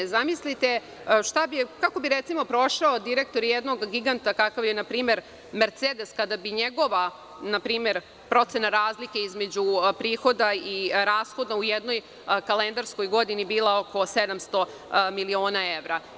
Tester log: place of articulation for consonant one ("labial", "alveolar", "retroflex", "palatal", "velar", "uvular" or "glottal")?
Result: alveolar